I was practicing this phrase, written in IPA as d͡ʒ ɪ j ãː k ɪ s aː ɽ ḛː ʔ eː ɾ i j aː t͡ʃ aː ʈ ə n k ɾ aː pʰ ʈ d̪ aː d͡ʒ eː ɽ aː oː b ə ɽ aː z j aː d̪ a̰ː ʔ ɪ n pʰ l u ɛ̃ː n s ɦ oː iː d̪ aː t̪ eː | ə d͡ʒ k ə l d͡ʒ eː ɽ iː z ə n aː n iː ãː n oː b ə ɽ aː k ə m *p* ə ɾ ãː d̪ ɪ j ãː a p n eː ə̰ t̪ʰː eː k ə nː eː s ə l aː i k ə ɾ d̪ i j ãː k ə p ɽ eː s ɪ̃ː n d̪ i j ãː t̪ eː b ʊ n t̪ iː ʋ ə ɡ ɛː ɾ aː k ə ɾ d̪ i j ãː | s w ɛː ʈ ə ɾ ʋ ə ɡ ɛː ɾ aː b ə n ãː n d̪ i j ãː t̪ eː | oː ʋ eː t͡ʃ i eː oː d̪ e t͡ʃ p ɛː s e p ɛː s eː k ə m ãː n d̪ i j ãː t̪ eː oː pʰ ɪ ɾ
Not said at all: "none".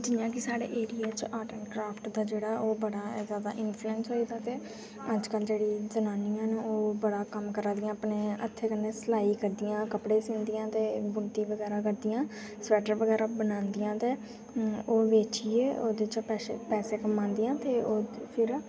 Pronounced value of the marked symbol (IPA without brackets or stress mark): k